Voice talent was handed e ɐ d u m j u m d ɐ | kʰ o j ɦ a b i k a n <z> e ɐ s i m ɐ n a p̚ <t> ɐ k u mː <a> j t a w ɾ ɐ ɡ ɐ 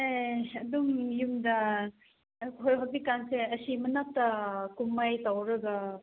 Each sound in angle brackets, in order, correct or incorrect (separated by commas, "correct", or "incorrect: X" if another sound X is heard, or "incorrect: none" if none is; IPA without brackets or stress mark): incorrect: s, correct, correct